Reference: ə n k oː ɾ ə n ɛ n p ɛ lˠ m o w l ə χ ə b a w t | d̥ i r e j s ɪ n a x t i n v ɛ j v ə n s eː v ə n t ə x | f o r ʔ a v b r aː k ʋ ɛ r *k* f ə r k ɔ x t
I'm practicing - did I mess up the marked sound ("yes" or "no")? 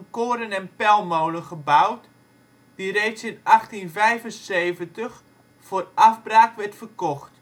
yes